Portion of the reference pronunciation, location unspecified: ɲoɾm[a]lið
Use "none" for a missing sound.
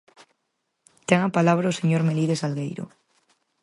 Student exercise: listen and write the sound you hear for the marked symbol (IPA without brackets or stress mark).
e